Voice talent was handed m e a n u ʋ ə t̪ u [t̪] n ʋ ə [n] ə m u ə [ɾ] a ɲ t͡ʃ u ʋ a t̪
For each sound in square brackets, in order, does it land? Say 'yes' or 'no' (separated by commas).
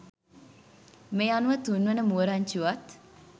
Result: no, yes, yes